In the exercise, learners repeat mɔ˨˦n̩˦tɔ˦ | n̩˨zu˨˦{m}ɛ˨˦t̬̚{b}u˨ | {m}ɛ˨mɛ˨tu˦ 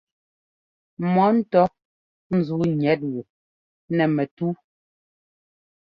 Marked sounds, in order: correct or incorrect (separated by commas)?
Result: incorrect, incorrect, incorrect